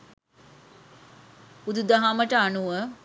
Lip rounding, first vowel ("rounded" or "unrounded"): rounded